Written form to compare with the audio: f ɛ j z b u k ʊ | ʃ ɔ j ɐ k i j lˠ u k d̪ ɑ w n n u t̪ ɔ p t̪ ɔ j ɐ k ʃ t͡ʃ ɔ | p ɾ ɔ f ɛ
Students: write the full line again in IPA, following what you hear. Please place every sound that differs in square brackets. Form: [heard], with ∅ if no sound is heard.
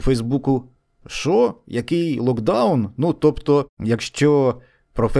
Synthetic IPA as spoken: f ɛ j z b u k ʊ | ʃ ɔ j ɐ k [ɪ] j lˠ [ɔ] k d̪ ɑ w n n u t̪ ɔ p t̪ ɔ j ɐ k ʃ t͡ʃ ɔ | p ɾ ɔ f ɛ